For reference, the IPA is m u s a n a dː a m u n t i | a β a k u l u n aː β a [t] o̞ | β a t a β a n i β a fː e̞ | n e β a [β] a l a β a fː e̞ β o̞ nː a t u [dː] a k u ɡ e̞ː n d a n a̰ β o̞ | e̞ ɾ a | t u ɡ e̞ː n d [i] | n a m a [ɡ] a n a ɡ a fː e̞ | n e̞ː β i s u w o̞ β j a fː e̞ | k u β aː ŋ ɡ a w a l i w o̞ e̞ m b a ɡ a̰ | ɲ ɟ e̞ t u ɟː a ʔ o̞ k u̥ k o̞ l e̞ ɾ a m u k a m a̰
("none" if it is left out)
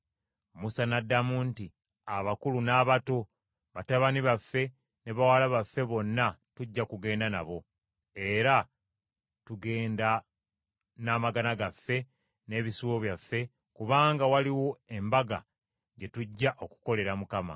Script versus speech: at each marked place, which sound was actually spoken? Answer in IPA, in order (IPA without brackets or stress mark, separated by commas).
t, w, ɟː, a, ɡ